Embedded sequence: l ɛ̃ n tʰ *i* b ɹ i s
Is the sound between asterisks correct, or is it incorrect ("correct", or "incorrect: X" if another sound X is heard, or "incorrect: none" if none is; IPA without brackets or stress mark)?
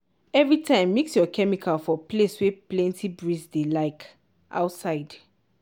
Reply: correct